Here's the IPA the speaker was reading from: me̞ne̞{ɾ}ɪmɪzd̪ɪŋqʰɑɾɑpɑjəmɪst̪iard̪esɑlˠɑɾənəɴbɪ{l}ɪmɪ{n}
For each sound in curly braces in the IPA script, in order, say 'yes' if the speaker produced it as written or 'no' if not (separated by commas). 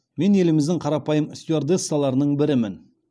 no, no, yes